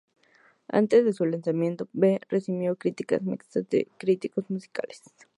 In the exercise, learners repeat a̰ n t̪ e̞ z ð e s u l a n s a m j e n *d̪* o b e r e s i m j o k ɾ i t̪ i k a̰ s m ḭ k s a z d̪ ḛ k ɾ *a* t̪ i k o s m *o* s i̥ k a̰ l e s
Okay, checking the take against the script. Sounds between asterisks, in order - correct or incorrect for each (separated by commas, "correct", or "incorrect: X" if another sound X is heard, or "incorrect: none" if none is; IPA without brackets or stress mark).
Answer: incorrect: t̪, incorrect: i, incorrect: u